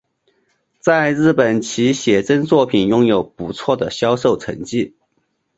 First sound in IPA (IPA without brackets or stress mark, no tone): t͡s